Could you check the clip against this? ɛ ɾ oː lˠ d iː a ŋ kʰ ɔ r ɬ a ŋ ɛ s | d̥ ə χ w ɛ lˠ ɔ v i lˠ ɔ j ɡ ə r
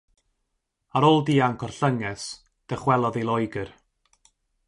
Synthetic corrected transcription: a ɾ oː lˠ d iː a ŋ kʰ ɔ r ɬ ə ŋ ɛ s | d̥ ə χ w ɛ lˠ ɔ ð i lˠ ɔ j ɡ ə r